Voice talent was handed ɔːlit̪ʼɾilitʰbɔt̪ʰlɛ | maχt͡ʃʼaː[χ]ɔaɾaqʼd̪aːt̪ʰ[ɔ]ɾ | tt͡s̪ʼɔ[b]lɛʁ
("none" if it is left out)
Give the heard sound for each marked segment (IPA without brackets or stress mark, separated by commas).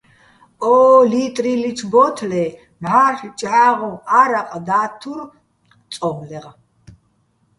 ʁ, u, m